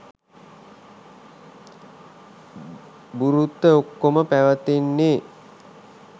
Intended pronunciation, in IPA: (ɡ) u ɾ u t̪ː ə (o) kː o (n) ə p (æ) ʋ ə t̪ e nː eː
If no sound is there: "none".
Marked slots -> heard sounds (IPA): b, o, m, æ

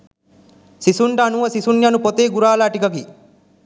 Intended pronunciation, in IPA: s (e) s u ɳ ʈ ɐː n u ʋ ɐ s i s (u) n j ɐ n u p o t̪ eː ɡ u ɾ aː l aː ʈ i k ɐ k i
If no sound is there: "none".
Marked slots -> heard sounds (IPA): i, u

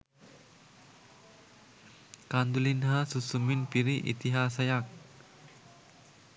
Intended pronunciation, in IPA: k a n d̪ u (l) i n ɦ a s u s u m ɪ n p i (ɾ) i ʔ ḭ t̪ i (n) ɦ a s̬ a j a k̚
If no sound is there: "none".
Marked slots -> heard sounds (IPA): l, ɾ, none

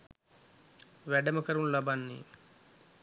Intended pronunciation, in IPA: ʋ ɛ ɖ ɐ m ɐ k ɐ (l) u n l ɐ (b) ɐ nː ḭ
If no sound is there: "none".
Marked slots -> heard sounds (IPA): ɾ, b

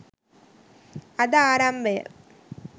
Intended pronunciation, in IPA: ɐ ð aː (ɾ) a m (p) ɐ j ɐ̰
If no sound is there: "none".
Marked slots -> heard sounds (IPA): ɾ, b

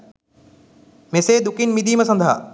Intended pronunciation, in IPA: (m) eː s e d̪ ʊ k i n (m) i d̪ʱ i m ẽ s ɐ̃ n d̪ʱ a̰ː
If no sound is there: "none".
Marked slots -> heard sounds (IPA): m, m

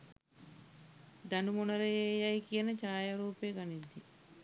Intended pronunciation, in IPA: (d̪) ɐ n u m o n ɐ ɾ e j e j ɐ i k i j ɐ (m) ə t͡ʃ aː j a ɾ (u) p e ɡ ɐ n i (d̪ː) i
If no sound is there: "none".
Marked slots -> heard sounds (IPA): d̪, n, uː, d̪ː

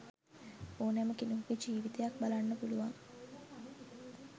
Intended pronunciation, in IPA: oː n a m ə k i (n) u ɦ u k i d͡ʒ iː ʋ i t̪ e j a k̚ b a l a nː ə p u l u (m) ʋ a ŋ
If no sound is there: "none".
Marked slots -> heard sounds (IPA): n, none

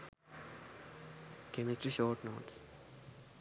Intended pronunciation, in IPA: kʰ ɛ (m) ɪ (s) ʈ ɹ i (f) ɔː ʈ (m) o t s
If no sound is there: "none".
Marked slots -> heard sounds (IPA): m, s, ʃ, n

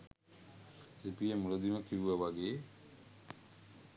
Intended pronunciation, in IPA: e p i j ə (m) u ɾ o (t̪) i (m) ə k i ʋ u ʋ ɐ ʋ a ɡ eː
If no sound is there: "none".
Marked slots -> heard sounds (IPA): m, d̪, m

